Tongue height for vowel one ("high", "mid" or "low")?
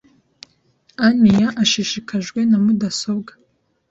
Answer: low